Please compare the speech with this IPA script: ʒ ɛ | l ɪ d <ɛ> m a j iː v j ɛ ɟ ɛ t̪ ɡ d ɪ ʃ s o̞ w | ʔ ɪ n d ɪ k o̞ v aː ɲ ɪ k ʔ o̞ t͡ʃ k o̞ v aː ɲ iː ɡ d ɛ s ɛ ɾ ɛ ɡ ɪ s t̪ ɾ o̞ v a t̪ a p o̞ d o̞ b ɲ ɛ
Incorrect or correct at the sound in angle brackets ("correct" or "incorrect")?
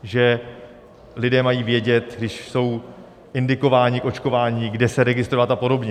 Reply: incorrect